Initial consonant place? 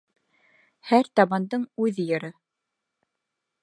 glottal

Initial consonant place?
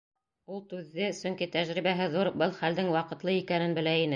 alveolar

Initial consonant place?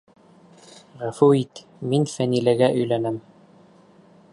uvular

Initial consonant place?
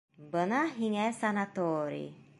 labial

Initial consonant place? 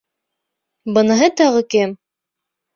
labial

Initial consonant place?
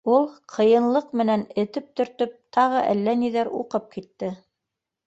alveolar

